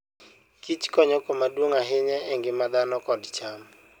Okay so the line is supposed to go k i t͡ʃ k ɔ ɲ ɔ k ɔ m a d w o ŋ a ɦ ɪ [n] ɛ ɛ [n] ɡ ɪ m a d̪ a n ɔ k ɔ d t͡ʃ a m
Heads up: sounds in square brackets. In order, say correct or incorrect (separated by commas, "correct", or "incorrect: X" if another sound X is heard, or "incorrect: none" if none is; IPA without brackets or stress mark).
incorrect: ɲ, incorrect: ŋ